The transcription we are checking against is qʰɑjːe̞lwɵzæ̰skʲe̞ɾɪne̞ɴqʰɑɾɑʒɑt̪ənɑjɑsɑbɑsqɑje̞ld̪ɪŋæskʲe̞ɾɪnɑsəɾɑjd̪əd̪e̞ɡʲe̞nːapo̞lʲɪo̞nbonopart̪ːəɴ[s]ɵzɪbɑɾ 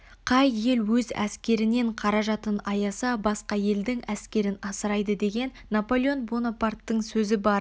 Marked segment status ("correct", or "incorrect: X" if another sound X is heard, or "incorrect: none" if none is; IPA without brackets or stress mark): correct